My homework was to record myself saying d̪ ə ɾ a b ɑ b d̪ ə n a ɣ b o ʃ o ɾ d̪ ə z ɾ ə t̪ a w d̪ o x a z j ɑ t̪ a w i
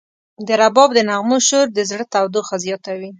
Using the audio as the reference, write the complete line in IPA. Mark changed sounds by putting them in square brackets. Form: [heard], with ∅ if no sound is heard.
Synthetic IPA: d̪ ə ɾ a b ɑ b d̪ ə n a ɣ [m] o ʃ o ɾ d̪ ə z [ɽ] ə t̪ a w d̪ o x a z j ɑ t̪ a w i